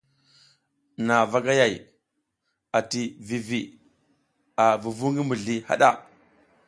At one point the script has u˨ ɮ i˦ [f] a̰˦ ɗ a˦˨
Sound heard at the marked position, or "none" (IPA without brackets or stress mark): h